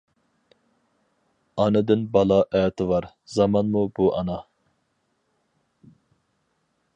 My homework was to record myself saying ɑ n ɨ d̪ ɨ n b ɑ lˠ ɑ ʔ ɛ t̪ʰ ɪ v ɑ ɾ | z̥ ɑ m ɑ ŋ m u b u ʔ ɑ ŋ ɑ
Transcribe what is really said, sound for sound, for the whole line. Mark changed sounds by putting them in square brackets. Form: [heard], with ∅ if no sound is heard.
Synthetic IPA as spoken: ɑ n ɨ d̪ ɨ n b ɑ lˠ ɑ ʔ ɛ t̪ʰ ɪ v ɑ ɾ | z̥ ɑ m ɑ [n] m u b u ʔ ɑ [n] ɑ